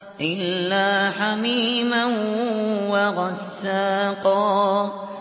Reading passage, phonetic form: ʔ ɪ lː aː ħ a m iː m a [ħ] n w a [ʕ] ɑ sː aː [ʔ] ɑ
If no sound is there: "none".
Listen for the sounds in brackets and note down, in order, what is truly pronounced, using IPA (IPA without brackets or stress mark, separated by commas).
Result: none, ɣ, q